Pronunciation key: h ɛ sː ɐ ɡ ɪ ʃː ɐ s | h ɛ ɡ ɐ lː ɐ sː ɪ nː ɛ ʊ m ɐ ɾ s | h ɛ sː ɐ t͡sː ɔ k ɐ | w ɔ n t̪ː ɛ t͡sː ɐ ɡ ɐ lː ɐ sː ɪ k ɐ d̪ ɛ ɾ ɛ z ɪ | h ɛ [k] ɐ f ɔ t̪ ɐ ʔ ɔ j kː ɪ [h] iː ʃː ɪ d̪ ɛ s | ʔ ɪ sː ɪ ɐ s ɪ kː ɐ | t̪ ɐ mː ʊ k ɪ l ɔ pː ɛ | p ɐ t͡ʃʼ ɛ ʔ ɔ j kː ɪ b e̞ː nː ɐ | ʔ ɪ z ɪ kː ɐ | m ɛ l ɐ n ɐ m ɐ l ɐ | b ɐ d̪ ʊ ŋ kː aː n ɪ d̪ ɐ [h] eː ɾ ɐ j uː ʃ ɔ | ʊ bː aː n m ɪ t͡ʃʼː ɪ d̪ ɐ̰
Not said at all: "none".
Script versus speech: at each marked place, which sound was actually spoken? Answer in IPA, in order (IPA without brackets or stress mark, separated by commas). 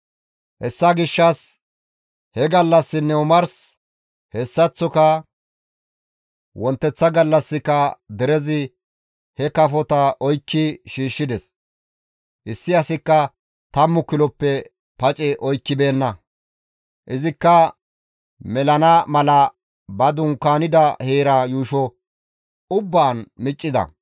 k, ʃ, h